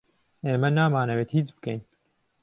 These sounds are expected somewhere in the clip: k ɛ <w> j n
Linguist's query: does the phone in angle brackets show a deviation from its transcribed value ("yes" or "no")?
yes